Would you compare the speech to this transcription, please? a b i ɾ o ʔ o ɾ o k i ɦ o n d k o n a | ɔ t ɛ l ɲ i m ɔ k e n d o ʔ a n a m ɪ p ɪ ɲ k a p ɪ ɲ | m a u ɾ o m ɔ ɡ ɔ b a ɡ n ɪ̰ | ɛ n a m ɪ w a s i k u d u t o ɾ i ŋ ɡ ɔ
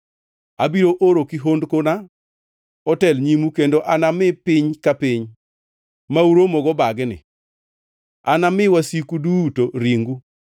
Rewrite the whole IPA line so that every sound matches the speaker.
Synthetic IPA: a b i ɾ o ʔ o ɾ o k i ɦ o n d k o n a | ɔ t ɛ l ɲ i m u k e n d o ʔ a n a m ɪ p ɪ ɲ k a p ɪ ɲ | m a u ɾ o m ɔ ɡ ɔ b a ɡ n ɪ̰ | a n a m ɪ w a s i k u d u t o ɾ i ŋ ɡ u